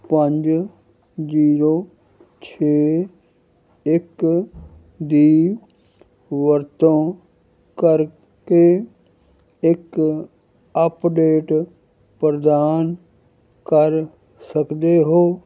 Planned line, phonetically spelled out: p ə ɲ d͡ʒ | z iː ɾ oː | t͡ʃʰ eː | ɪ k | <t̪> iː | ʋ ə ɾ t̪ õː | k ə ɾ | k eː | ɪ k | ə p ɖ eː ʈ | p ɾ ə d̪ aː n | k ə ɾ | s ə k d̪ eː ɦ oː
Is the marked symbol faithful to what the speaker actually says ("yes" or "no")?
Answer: no